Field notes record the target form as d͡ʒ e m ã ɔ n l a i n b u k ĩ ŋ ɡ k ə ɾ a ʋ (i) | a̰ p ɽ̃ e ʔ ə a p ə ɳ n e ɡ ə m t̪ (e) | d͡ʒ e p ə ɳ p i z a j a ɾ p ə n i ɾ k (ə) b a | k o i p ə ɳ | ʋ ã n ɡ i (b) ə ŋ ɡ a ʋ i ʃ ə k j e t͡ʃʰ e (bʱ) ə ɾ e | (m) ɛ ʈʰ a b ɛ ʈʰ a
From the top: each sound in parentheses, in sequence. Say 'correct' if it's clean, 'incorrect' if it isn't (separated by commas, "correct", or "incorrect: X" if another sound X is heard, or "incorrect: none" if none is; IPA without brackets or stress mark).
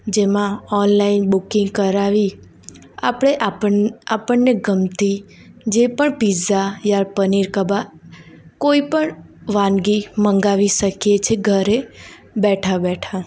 correct, incorrect: i, correct, incorrect: m, incorrect: ɡʱ, incorrect: b